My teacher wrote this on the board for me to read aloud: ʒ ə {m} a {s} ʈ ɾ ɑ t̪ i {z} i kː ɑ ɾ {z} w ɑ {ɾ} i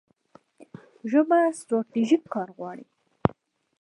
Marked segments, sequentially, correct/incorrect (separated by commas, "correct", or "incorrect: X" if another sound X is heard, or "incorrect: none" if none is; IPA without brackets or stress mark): correct, correct, incorrect: ʒ, incorrect: ɣ, incorrect: ɽ